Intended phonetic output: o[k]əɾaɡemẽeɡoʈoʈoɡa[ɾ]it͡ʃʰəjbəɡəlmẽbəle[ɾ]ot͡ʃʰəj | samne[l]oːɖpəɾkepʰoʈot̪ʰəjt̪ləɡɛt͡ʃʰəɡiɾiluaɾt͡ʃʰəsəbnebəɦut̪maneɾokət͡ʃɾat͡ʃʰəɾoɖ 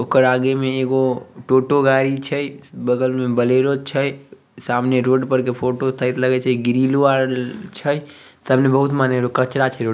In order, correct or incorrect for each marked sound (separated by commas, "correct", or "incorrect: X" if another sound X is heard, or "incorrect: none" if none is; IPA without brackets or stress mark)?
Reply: correct, correct, correct, incorrect: ɾ